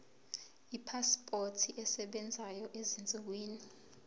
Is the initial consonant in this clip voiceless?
yes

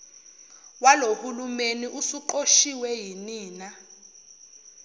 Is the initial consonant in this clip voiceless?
no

